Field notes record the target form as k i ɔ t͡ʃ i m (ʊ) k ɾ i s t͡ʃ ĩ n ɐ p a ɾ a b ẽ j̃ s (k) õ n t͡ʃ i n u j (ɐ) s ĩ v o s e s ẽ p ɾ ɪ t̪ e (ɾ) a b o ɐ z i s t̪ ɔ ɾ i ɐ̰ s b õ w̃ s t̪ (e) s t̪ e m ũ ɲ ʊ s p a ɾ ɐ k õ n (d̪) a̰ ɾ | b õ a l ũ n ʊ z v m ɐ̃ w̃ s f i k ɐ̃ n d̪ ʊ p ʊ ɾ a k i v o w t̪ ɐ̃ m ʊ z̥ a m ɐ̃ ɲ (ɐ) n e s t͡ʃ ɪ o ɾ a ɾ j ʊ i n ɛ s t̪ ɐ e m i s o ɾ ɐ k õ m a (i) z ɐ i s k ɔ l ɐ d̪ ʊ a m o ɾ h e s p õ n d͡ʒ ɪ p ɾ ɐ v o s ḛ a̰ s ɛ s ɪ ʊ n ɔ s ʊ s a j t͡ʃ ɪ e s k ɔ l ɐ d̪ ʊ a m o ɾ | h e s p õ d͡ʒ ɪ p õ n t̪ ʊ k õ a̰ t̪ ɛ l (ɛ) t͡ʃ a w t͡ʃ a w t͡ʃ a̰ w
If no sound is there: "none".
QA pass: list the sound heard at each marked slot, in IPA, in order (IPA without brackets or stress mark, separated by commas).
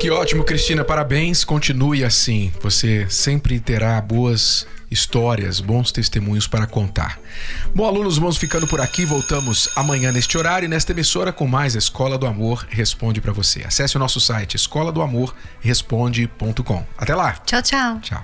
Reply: ʊ, k, a, ɾ, e, t̪, ɐ̃, j, a